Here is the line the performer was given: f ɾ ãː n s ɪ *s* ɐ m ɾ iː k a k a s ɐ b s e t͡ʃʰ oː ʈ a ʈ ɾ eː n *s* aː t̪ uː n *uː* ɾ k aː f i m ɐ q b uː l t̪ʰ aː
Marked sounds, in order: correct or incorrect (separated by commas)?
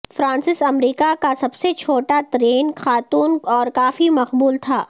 correct, incorrect, incorrect